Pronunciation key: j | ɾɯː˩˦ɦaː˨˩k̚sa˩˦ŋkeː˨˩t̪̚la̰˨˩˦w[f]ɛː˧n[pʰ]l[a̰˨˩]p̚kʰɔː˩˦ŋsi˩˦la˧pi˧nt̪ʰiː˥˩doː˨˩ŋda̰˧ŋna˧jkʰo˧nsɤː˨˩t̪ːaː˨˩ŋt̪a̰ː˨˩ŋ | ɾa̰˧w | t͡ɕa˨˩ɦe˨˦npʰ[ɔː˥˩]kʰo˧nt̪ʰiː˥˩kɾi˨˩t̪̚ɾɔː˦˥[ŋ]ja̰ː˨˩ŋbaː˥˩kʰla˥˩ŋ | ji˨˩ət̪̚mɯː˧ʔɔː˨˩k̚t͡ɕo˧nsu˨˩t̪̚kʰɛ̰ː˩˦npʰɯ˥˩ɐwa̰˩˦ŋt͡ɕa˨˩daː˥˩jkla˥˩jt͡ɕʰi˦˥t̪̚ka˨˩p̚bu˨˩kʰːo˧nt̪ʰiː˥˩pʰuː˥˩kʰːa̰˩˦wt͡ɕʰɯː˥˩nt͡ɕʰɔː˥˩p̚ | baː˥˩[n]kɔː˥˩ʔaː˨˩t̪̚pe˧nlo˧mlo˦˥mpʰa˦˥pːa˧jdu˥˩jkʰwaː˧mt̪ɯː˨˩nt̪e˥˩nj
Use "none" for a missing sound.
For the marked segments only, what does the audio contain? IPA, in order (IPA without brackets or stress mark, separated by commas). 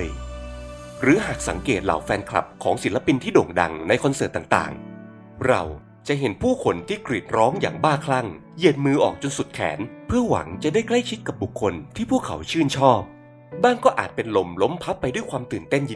f, kʰ, a̰˨˩, uː˥˩, ŋ, ŋ